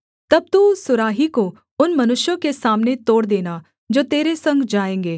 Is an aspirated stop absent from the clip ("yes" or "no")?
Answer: yes